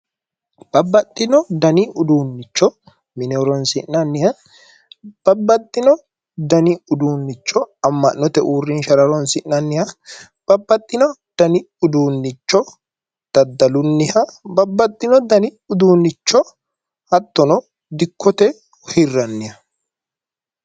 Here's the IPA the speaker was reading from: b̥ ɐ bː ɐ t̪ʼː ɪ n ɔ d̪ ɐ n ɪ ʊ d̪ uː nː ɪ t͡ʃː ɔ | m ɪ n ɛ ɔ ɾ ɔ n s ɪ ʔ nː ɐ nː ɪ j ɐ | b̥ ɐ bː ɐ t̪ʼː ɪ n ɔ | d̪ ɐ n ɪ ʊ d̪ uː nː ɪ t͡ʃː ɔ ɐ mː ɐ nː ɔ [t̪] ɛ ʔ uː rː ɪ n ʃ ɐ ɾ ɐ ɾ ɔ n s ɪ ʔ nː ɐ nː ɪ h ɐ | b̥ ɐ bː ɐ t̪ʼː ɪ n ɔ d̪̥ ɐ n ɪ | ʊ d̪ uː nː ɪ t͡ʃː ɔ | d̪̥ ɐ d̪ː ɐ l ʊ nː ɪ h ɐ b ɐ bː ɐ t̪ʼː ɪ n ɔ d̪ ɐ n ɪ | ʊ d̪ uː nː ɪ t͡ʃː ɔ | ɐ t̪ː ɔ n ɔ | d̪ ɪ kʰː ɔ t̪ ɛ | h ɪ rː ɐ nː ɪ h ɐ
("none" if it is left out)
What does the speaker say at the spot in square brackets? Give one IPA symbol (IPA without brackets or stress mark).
t̪